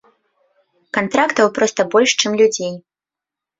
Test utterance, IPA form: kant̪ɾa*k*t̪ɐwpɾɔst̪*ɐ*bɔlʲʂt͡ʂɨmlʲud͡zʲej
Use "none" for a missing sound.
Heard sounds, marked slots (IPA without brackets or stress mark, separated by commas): k, ɐ